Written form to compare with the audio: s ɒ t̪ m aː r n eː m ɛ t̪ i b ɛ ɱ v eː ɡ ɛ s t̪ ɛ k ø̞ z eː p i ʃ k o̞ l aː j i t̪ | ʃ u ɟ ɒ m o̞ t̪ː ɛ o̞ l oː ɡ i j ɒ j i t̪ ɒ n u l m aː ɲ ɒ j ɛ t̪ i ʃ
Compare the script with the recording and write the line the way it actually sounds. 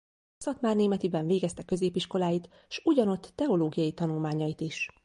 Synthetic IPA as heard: s ɒ t̪ m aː r n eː m ɛ t̪ i b ɛ ɱ v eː ɡ ɛ s t̪ ɛ k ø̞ z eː p i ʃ k o̞ l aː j i t̪ | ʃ u ɟ ɒ n o̞ t̪ː ɛ o̞ l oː ɡ i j ɒ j i t̪ ɒ n u l m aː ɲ ɒ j i t̪ i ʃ